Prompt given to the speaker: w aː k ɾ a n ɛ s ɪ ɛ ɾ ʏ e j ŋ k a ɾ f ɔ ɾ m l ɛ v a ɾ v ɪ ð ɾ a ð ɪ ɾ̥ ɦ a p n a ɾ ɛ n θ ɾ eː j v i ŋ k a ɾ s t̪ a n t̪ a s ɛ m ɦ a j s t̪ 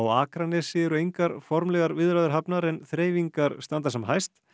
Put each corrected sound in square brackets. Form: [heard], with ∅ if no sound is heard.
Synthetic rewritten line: w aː k ɾ a n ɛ s ɪ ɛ ɾ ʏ e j ŋ k a ɾ f ɔ ɾ m l ɛ [ɣ] a ɾ v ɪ ð ɾ a ð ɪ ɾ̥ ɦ a p n a ɾ ɛ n θ ɾ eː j v i ŋ k a ɾ s t̪ a n t̪ a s ɛ m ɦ a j s t̪